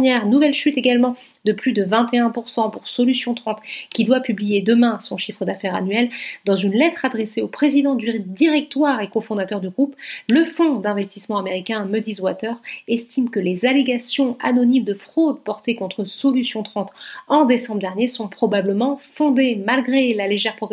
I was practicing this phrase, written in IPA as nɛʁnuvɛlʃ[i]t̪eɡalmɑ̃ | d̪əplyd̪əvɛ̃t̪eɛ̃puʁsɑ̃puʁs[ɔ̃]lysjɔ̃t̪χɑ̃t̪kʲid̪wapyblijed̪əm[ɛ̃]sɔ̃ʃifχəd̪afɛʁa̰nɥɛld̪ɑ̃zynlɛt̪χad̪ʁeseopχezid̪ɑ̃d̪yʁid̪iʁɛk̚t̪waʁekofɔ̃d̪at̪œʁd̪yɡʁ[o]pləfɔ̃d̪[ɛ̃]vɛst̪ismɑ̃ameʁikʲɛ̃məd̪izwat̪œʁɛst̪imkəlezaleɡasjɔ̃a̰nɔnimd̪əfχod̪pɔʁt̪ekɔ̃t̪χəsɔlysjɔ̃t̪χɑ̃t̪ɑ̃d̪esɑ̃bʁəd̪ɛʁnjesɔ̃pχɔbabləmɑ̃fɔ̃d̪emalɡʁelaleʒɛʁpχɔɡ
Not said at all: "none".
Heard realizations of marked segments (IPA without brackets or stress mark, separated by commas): y, ɔ, ɛ̃, u, ɛ̃